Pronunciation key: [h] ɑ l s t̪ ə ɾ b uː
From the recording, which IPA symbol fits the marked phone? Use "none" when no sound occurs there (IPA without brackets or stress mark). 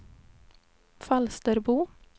f